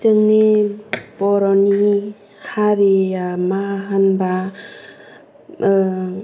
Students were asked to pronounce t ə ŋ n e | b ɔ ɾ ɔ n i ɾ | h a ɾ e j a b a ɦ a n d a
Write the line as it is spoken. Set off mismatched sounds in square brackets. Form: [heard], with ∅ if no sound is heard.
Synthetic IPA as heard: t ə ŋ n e | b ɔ ɾ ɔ n i [∅] | h a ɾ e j a [m] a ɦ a n [b] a